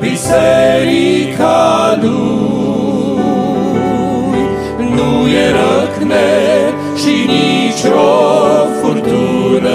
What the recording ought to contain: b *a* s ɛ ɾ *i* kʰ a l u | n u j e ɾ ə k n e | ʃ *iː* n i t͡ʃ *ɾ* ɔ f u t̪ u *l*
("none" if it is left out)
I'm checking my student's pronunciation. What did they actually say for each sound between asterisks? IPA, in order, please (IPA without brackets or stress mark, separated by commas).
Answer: i, i, i, ɾ, ɾ